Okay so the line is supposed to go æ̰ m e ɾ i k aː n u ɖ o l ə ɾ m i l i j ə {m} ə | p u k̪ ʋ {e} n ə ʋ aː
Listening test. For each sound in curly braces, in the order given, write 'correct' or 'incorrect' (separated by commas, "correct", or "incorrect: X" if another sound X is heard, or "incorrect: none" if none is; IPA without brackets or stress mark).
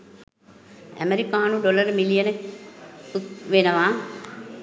incorrect: n, correct